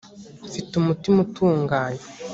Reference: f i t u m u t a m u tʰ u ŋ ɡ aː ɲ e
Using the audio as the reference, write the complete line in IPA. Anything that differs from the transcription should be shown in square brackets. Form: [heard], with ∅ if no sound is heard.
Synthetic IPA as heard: f i t u m u t [i] m u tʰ [uː] ŋ ɡ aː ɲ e